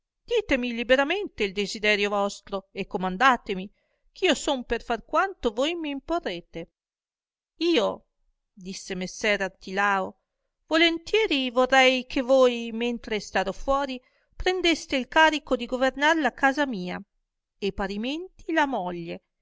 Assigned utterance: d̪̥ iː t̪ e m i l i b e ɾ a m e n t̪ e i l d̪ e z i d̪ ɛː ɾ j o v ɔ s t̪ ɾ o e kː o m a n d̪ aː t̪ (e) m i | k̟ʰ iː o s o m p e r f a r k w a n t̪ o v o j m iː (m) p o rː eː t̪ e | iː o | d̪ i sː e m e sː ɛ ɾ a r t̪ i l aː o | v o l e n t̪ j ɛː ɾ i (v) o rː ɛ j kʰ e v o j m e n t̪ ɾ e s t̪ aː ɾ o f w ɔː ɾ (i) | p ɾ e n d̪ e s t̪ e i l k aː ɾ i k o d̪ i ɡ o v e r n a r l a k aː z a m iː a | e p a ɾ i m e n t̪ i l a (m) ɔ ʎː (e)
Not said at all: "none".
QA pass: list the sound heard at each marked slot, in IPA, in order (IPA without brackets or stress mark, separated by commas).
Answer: e, m, v, i, m, e